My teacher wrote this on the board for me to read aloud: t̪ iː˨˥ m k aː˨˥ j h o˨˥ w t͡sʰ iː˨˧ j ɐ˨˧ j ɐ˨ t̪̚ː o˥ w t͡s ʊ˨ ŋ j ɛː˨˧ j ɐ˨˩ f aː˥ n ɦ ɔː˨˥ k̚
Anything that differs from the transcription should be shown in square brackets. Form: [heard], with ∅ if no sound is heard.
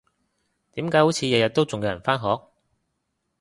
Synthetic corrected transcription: t̪ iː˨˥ m k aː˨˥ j h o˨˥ w t͡sʰ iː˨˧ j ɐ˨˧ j ɐ˨ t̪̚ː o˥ w t͡s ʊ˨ ŋ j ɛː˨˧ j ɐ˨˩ f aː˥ n ɦ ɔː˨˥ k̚